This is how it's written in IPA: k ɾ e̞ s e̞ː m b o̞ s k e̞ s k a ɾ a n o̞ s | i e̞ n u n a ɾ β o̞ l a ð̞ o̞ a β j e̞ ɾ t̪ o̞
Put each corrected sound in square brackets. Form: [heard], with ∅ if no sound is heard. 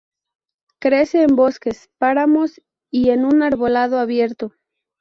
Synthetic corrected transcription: k ɾ e̞ s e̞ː m b o̞ s k e̞ s [p] a ɾ a [m] o̞ s | i e̞ n u n a ɾ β o̞ l a ð̞ o̞ a β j e̞ ɾ t̪ o̞